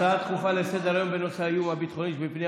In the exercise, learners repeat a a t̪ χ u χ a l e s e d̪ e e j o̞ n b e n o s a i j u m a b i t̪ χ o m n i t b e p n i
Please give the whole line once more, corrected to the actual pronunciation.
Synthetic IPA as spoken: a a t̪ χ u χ a l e s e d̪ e a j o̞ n b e n o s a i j u m a b i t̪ χ o n i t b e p n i